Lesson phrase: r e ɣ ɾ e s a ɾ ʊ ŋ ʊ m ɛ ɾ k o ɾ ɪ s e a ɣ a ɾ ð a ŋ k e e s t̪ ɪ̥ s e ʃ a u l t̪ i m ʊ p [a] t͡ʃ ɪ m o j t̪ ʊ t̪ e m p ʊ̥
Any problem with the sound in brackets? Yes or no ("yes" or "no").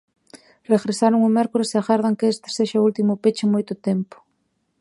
yes